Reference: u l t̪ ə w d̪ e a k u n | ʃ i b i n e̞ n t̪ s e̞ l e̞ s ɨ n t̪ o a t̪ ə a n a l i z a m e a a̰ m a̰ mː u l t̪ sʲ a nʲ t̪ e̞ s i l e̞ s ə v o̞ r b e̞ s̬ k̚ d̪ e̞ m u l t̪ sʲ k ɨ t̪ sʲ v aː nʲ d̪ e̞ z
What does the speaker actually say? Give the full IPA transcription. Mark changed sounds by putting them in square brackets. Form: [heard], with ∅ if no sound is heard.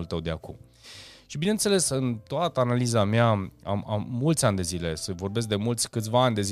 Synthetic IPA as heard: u l t̪ ə w d̪ e a k u [m] | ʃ i b i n e̞ n t̪ s e̞ l e̞ s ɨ n t̪ o a t̪ ə a n a l i z a m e a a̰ m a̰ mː u l t̪ sʲ a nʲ [d̪] e̞ [z] i l e̞ s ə v o̞ r b e̞ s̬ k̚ d̪ e̞ m u l t̪ sʲ k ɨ t̪ sʲ v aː nʲ d̪ e̞ z